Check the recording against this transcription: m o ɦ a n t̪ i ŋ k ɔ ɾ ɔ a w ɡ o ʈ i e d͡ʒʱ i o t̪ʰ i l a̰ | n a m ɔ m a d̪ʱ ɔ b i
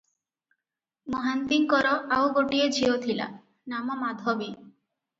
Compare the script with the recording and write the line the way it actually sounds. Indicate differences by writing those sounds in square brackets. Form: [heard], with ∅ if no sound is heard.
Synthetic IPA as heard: m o ɦ a n t̪ i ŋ k ɔ ɾ ɔ a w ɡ o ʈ i e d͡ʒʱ i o t̪ʰ i l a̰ | n a m ɔ m a d̪ʱ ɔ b i